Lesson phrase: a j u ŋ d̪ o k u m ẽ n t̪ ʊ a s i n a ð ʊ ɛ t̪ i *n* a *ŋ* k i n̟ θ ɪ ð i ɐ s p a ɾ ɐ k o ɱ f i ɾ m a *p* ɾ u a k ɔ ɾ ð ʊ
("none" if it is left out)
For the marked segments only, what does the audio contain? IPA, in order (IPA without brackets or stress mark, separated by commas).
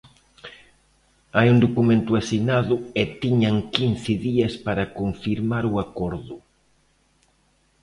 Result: ɲ, ŋ, none